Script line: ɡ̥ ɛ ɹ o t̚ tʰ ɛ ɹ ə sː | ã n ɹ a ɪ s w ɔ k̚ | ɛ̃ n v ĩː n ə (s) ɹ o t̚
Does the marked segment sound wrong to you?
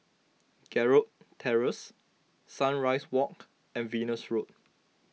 no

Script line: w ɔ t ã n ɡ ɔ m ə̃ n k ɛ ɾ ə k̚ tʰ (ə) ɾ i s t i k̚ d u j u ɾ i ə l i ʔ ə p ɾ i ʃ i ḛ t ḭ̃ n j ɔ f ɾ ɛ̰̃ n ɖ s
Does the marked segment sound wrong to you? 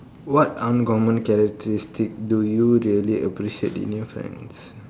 no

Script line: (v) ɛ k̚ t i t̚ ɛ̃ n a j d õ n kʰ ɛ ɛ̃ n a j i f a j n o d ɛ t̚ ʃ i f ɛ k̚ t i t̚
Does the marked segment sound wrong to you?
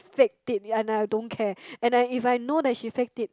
yes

